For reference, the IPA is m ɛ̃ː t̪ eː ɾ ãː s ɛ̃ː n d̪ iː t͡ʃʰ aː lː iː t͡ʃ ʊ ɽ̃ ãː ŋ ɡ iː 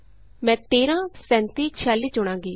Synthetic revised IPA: m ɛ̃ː t̪ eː ɾ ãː s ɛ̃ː n t̪ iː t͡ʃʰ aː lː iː t͡ʃ ʊ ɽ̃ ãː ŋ ɡ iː